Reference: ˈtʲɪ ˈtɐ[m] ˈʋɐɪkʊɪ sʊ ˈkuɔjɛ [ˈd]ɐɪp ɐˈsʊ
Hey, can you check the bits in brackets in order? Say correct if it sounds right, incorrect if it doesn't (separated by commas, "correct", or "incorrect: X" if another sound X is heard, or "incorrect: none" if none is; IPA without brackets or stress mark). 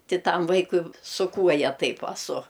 correct, incorrect: t